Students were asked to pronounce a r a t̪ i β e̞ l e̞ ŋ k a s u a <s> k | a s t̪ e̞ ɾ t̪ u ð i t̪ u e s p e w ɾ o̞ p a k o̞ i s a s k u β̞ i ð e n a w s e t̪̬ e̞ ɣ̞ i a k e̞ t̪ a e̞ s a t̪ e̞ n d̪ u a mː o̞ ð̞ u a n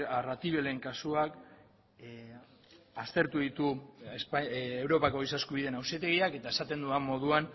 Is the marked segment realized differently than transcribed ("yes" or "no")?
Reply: yes